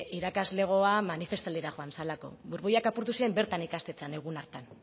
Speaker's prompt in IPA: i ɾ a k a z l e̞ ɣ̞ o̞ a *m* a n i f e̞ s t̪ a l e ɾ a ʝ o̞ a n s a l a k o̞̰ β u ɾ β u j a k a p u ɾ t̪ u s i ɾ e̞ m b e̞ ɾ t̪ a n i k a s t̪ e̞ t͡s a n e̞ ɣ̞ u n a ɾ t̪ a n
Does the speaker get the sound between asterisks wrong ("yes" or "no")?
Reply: no